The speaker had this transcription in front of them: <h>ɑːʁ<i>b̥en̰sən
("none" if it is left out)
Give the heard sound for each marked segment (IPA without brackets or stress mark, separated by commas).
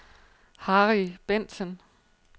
h, i